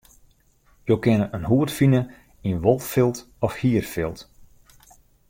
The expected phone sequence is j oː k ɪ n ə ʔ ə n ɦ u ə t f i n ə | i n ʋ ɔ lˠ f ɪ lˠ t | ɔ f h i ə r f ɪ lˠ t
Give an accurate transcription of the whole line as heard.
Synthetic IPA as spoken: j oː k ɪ n ə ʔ ə n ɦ u ə t f i n ə | i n ʋ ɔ lˠ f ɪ lˠ t | ɔ f h i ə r f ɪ lˠ t